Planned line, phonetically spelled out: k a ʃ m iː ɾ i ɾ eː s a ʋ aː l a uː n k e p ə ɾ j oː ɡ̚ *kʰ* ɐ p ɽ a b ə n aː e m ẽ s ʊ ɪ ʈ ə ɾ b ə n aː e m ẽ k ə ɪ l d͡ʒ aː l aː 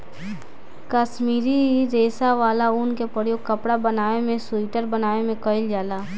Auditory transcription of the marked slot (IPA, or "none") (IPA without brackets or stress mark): k